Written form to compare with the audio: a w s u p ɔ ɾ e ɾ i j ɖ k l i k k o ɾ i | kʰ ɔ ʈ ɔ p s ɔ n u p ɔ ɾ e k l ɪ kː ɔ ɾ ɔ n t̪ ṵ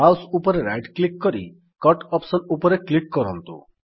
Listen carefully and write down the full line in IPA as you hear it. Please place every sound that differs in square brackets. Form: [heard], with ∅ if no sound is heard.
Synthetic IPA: a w s u p ɔ ɾ e ɾ [a] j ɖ k l i k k [ɔ] ɾ i | [k] ɔ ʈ ɔ p s ɔ n u p ɔ ɾ e k l [i] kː ɔ ɾ ɔ n t̪ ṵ

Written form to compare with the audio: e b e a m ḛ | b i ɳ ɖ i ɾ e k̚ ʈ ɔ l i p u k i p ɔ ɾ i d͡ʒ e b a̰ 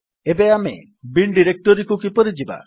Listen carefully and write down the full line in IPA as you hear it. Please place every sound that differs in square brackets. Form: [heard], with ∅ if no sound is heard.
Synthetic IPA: e b e a m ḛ | b i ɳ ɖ i ɾ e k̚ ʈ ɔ [ɾ] i [k] u k i p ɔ ɾ i d͡ʒ [i] b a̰

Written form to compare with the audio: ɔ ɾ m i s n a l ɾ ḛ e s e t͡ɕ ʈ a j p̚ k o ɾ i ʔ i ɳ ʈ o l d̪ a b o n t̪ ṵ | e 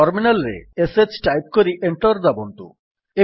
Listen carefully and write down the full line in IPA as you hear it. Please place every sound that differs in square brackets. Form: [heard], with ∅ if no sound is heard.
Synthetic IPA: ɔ ɾ m i [∅] n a l ɾ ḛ e s e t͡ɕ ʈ a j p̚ k o ɾ i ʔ [e] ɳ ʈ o [ɾ] d̪ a b o n t̪ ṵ | e

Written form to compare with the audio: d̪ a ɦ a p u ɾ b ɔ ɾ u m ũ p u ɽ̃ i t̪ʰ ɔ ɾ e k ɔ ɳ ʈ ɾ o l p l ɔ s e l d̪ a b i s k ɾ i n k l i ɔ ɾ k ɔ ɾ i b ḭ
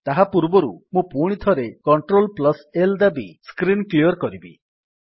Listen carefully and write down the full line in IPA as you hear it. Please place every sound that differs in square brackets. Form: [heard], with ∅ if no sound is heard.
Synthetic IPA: [t̪] a ɦ a p u ɾ b ɔ ɾ u m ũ p u ɽ̃ i t̪ʰ ɔ ɾ e k ɔ ɳ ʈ ɾ o l p l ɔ s e l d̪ a b i s k ɾ i n k l i ɔ ɾ k ɔ ɾ i b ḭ

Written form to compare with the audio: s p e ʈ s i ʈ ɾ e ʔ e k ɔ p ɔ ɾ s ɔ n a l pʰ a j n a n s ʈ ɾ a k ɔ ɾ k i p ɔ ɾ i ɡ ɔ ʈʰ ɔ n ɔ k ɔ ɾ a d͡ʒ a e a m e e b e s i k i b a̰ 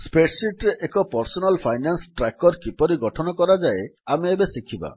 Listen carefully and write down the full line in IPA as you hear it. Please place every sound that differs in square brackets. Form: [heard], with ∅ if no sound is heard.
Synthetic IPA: s p e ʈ s i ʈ ɾ e ʔ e k ɔ p ɔ ɾ s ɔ n a l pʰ a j n a n s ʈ ɾ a k ɔ ɾ k i p ɔ ɾ i ɡ ɔ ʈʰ ɔ n ɔ k ɔ ɾ a d͡ʒ a e a m e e b e s i [kʰ] i b a̰

